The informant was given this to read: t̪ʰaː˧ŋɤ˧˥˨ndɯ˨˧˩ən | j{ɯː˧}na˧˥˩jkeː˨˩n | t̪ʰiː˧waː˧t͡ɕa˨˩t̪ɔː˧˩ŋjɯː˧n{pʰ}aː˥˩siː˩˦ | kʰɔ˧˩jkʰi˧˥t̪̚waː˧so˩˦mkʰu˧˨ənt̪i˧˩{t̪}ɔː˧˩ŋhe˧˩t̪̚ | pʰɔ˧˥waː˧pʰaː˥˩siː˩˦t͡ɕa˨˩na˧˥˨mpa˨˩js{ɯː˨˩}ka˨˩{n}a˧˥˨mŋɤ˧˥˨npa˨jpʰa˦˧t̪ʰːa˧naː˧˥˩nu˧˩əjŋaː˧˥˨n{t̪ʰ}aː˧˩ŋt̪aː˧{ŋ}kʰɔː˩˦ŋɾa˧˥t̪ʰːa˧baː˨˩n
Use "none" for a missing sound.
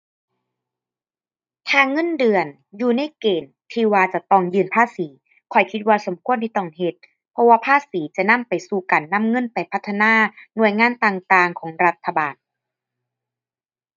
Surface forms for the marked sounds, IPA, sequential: uː˧, pʰ, t̪, uː˨˩, nː, t̪, ŋ

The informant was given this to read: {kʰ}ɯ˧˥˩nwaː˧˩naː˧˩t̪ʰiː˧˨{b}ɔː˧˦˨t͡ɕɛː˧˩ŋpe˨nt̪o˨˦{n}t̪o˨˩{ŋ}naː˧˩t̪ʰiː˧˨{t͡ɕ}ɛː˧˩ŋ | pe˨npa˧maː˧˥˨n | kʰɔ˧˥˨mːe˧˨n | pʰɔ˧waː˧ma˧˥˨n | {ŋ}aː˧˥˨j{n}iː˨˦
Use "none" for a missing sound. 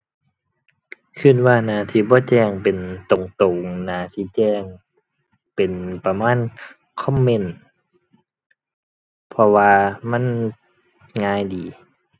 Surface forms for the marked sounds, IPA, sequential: kʰ, b, ŋ, ŋ, t͡ɕ, ŋ, d

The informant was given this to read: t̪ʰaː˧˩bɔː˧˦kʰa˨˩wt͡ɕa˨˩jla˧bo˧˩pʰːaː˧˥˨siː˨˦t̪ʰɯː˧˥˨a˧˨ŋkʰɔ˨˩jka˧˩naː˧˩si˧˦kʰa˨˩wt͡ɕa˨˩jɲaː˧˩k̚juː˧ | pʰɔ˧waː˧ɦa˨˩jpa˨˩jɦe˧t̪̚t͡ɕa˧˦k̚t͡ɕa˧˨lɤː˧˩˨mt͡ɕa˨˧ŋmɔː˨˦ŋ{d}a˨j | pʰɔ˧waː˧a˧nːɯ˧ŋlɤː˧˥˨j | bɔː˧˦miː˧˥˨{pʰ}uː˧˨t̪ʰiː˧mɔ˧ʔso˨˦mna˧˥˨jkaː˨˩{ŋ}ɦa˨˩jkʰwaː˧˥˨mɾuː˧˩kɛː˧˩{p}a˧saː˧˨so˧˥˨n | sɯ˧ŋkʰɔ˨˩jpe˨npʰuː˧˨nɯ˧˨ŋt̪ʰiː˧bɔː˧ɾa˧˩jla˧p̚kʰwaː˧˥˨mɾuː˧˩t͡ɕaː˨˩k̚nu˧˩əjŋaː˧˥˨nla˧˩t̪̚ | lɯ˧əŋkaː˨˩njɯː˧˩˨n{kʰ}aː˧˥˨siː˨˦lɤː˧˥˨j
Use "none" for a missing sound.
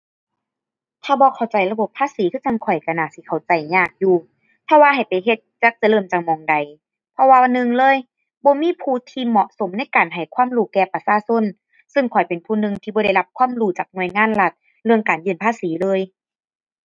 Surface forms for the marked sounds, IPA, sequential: d, pʰ, n, p, pʰ

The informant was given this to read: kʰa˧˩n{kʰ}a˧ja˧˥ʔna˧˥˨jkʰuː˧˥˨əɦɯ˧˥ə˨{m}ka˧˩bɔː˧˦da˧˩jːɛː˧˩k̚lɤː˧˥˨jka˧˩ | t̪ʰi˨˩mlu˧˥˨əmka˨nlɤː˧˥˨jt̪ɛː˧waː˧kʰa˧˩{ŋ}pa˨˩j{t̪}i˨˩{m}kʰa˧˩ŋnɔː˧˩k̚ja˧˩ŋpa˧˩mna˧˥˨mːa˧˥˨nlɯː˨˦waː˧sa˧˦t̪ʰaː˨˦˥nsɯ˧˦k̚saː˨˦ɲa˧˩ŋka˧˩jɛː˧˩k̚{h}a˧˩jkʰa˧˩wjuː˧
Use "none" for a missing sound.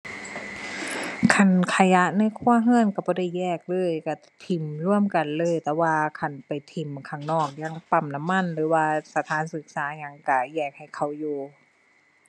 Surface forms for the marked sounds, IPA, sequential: kʰ, n, n, t̪ʰ, m, h

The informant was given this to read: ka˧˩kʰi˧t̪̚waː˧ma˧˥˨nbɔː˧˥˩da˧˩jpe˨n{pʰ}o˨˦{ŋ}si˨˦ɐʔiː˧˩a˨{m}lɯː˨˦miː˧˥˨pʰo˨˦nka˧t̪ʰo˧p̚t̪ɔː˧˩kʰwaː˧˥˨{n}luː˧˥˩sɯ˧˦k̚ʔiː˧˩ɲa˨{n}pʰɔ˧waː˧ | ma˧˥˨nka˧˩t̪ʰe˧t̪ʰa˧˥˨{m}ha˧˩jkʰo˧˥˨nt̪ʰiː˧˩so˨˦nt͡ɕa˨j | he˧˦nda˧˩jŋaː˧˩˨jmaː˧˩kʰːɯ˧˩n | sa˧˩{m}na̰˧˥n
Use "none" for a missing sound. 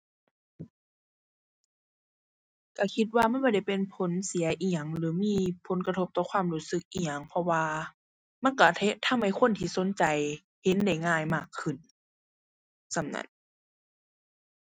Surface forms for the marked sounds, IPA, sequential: pʰ, n, ŋ, m, ŋ, m, m

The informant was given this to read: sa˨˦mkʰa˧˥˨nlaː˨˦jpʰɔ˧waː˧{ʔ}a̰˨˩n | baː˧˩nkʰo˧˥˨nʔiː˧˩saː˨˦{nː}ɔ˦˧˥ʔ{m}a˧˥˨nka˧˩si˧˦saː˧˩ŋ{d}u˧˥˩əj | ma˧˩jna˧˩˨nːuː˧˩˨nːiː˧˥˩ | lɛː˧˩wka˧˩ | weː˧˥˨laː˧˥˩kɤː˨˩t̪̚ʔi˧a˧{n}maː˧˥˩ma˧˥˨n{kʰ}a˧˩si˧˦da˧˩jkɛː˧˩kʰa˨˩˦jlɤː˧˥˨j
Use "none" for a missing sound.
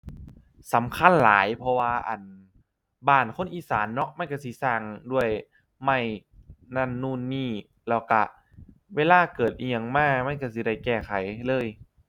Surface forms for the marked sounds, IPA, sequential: ʔ, nː, m, d, ŋ, k

